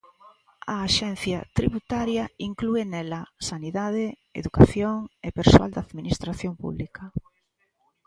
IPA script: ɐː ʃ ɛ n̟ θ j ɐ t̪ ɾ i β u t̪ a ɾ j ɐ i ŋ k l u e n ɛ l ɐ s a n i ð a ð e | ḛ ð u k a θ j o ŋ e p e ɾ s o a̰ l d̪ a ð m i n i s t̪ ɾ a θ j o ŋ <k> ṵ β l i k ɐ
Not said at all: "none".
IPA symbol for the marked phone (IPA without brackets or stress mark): p